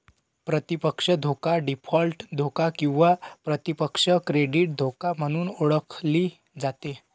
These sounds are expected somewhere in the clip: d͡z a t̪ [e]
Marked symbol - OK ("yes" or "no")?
yes